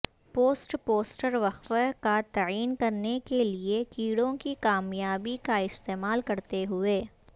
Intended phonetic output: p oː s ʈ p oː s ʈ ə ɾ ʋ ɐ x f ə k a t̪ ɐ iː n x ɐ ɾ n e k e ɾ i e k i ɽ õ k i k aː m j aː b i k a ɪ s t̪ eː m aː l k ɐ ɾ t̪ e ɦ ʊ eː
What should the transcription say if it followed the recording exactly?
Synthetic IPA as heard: p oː s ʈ p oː s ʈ ə ɾ ʋ ɐ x f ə k a t̪ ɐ iː n k ɐ ɾ n e k e l i e k iː ɽ õ k i k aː m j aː b i k a ɪ s t̪ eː m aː l k ɐ ɾ t̪ e ɦ ʊ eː